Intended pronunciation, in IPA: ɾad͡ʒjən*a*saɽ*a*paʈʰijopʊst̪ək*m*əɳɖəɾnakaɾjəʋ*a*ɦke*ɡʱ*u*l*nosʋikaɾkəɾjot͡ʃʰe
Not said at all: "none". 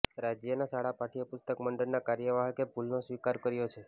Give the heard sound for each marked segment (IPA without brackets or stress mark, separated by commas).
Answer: a, a, m, a, bʱ, l